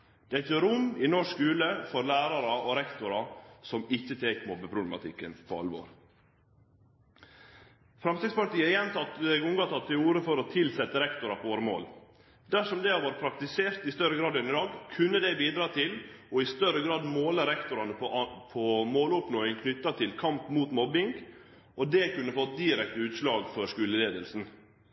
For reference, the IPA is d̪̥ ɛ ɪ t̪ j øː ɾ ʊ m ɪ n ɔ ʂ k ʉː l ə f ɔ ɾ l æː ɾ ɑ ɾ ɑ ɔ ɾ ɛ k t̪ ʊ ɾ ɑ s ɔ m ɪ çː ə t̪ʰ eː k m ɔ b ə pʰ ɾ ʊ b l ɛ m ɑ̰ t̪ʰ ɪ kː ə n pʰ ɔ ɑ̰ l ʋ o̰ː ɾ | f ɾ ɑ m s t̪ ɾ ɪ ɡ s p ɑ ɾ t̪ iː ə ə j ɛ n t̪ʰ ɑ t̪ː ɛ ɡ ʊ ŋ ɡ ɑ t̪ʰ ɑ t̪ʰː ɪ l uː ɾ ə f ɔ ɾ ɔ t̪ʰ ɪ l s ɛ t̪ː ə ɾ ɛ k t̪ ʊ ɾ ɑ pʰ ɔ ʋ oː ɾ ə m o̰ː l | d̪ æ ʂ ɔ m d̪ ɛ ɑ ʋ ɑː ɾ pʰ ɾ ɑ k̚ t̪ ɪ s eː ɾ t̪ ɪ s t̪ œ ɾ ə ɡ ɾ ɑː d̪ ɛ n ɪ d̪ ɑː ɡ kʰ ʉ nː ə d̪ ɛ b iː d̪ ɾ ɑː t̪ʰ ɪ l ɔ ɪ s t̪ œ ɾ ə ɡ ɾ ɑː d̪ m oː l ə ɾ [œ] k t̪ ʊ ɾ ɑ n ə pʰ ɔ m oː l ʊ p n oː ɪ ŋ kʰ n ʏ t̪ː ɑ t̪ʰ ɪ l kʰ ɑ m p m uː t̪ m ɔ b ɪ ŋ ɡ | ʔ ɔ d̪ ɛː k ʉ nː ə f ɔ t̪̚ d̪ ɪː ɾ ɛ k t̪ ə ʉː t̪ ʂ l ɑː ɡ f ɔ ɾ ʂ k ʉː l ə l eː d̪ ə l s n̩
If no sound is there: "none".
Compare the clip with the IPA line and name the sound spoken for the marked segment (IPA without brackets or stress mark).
ɛ